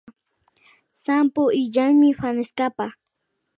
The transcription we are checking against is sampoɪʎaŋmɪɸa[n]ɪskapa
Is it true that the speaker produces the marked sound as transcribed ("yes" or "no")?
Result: yes